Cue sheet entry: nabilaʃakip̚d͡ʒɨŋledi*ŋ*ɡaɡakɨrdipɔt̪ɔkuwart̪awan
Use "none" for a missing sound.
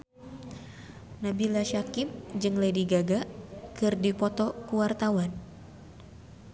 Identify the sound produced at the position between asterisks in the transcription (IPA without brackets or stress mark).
none